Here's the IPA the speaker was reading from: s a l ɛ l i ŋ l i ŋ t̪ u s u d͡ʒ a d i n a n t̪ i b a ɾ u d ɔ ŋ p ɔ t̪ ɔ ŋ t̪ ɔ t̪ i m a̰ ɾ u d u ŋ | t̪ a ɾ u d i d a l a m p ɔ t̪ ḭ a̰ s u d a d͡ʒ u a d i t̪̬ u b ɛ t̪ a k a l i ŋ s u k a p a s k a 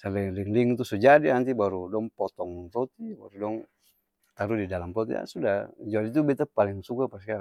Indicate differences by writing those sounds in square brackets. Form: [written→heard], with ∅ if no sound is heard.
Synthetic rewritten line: s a l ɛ l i ŋ l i ŋ t̪ u s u d͡ʒ a d i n a n t̪ i b a ɾ u d ɔ ŋ p ɔ t̪ ɔ ŋ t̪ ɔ t̪ i [m→b] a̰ ɾ u d [u→ɔ] ŋ | t̪ a ɾ u d i d a l a m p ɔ t̪ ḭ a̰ s u d a d͡ʒ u a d i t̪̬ u b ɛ t̪ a [k→p] a l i ŋ s u k a p a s k a